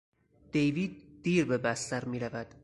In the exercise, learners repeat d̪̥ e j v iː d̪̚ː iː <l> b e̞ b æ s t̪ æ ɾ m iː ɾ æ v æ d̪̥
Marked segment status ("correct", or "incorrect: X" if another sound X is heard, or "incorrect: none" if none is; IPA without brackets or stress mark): incorrect: ɾ